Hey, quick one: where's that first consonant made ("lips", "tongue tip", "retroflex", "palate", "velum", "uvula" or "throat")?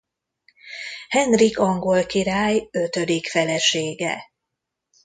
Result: throat